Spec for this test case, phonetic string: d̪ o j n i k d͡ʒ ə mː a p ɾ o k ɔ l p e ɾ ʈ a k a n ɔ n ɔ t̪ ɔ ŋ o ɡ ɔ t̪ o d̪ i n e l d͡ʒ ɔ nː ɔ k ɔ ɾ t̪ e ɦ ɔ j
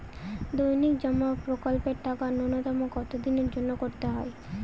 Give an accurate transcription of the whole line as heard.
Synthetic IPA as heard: d̪ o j n i k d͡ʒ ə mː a p ɾ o k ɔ l p e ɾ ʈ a k a n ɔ n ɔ t̪ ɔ m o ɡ ɔ t̪ o d̪ i n e ɾ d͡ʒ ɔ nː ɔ k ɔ ɾ t̪ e ɦ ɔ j